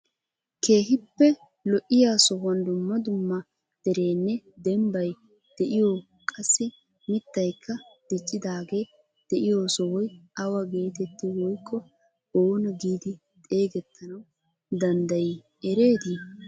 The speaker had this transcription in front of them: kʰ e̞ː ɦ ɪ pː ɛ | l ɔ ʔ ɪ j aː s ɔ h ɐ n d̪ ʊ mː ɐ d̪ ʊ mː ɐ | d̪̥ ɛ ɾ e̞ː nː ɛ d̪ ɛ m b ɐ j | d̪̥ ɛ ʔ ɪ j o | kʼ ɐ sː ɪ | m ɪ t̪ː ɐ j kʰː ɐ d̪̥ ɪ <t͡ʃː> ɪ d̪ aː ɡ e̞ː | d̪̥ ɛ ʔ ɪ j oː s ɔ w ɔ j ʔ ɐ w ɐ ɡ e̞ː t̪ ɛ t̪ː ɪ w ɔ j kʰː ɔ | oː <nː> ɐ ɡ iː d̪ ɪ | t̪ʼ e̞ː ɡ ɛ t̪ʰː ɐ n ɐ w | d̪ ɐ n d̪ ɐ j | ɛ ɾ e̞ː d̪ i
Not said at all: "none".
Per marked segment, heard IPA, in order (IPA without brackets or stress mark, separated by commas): t͡ʃʼː, n